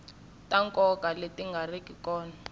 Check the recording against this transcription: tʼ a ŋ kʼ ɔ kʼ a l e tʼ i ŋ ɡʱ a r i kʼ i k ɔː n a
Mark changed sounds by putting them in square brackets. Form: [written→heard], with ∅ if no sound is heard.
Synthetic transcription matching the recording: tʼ a ŋ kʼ ɔ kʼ a l e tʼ i ŋ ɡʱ a r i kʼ i k ɔː n a